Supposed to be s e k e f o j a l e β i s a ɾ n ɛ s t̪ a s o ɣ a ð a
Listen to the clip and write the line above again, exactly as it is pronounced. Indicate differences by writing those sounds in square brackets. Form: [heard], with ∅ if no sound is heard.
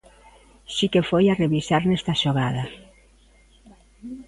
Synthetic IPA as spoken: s [i] k e f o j a [r] e β i s a ɾ n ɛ s t̪ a [ʃ] o ɣ a ð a

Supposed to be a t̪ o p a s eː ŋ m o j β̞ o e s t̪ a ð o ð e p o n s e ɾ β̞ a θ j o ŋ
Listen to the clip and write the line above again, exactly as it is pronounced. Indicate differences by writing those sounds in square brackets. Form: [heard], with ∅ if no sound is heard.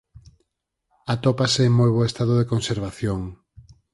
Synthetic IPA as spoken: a t̪ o p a s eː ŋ m o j β̞ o e s t̪ a ð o ð e [k] o n s e ɾ β̞ a θ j o ŋ

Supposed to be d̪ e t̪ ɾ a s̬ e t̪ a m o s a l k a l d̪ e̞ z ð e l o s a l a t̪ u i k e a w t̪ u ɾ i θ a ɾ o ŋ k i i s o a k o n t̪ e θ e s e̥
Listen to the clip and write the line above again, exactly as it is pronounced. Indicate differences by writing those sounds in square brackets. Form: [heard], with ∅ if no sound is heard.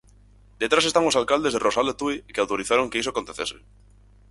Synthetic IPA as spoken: d̪ e t̪ ɾ a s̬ e t̪ a [ŋ] o s a l k a l d̪ e̞ z ð e [r] o s a l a t̪ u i k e a w t̪ [o] ɾ i θ a ɾ o ŋ k [e] i s o a k o n t̪ e θ e s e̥

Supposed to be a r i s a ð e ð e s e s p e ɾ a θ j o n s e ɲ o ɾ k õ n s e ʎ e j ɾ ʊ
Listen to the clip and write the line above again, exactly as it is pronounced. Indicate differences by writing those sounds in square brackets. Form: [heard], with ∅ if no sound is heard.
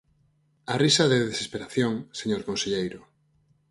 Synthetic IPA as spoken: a r i s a ð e ð e s e s p e ɾ a θ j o [ŋ] s e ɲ o ɾ k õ n s e ʎ e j ɾ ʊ

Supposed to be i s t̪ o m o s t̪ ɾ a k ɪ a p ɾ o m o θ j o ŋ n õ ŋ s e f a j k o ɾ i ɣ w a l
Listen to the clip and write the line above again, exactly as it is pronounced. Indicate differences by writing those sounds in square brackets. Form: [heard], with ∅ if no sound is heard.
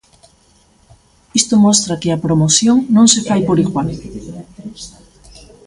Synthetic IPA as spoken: i s t̪ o m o s t̪ ɾ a k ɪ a p ɾ o m o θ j o ŋ n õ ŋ s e f a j [p] o ɾ i ɣ w a l

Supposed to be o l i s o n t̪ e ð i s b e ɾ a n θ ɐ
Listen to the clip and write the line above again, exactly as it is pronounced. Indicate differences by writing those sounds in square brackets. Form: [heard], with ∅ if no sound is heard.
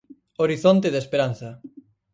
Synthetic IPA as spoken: o [ɾ] i [θ] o n t̪ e ð [e] s [p] e ɾ a n θ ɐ

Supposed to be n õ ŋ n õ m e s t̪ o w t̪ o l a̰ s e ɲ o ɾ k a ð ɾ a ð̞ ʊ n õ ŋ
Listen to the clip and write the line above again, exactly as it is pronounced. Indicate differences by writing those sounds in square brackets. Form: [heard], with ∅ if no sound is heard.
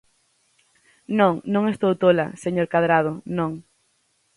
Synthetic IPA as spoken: n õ ŋ n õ [ŋ] e s t̪ o w t̪ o l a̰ s e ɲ o ɾ k a ð ɾ a ð̞ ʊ n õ ŋ

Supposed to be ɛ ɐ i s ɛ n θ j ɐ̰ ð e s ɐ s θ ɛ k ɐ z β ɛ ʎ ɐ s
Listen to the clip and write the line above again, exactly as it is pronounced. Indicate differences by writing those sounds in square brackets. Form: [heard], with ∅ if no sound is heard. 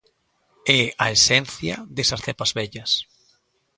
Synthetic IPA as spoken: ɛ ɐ [e] s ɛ n θ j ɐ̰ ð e s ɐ s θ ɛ [p] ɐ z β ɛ ʎ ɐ s

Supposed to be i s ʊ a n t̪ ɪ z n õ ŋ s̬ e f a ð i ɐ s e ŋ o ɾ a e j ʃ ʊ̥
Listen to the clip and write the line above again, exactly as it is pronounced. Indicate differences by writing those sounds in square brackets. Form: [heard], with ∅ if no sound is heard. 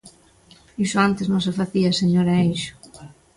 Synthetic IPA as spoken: i s ʊ a n t̪ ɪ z n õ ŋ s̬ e f a [θ] i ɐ s e [ɲ] o ɾ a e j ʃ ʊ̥

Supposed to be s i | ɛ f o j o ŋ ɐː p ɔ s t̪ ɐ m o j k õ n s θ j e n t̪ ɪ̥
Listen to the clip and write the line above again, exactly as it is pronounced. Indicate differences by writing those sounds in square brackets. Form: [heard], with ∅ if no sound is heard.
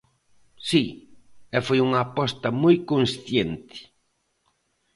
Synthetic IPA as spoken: s i | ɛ f o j [u] ŋ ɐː p ɔ s t̪ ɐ m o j k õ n s θ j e n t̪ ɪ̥

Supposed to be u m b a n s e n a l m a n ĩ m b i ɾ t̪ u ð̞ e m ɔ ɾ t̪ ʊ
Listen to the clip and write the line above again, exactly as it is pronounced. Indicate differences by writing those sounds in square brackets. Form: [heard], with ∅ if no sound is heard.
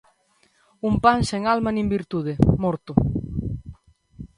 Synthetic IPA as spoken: u m [p] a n s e [ŋ] a l m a n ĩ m b i ɾ t̪ u ð̞ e m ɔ ɾ t̪ ʊ

